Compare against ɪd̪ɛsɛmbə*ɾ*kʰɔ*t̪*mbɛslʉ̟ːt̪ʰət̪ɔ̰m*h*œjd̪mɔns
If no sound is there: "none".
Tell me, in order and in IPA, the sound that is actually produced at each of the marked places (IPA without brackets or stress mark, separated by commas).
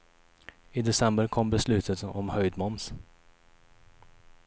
ɾ, none, h